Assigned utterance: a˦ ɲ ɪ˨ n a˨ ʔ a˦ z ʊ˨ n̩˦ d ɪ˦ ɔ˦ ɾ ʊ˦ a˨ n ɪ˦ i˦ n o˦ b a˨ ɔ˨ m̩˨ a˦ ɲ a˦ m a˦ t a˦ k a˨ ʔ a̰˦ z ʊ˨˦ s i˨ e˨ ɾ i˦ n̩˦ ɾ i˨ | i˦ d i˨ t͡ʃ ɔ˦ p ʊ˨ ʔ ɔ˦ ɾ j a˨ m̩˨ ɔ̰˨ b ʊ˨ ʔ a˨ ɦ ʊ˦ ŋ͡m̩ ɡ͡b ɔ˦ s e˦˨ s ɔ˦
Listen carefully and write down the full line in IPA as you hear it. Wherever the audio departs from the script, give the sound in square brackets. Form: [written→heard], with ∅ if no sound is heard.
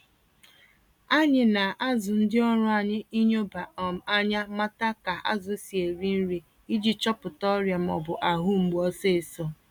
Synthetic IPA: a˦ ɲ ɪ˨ n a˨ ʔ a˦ z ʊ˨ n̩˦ d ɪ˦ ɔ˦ ɾ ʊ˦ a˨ [n→ɲ] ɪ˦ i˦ [n→ɲ] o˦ b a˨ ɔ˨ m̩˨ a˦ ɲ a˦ m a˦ t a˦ k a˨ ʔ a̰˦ z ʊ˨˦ s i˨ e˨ ɾ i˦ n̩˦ ɾ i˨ | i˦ [d→d͡ʒ] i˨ t͡ʃ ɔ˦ p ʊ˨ [ʔ→t] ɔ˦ ɾ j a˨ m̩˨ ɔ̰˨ b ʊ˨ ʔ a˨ ɦ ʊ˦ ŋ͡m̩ ɡ͡b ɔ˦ s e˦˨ s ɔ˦